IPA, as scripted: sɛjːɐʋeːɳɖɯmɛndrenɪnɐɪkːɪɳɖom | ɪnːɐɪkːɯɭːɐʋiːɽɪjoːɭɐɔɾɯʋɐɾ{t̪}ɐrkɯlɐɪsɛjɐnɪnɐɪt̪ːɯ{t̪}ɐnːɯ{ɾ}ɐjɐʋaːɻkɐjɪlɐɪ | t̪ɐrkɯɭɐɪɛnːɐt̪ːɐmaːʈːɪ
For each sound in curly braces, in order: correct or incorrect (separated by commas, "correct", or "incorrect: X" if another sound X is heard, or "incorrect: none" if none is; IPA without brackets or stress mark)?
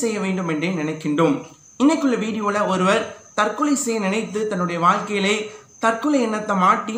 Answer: correct, correct, incorrect: ɽ